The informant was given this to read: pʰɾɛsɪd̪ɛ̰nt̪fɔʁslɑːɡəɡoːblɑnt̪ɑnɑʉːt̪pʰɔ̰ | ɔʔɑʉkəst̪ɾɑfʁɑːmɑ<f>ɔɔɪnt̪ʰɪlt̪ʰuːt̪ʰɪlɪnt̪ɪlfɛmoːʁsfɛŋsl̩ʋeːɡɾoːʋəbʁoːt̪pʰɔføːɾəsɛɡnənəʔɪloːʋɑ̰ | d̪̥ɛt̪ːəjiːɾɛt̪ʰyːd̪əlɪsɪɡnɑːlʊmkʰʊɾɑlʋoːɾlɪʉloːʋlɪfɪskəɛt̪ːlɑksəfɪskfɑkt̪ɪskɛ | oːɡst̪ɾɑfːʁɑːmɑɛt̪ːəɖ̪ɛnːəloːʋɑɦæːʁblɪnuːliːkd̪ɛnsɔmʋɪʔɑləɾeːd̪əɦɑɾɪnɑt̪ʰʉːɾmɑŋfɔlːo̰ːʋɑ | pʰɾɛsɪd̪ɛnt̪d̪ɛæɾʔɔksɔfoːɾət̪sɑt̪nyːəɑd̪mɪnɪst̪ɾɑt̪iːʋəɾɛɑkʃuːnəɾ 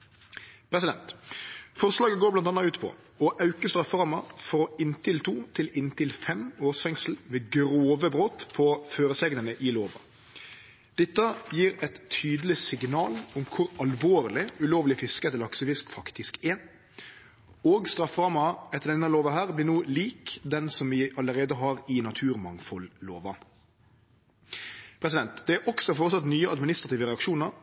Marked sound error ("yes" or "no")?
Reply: no